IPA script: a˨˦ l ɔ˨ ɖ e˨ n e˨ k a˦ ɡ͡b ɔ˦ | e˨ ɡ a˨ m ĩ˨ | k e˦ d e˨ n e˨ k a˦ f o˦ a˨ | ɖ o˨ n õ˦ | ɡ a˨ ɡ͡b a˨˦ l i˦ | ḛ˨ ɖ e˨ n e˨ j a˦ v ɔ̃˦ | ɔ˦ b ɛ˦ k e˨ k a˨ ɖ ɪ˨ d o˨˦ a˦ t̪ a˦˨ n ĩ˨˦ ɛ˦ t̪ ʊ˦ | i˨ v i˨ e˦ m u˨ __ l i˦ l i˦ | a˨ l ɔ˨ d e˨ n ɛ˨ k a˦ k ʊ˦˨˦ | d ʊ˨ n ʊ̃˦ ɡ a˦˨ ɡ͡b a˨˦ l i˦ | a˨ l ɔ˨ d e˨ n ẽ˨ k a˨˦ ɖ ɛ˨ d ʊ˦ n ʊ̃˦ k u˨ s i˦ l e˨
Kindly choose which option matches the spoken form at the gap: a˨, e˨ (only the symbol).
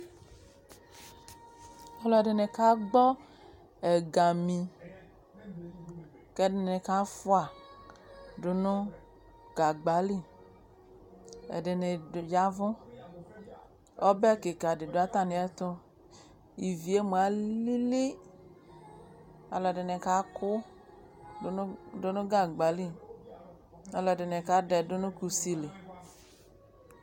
a˨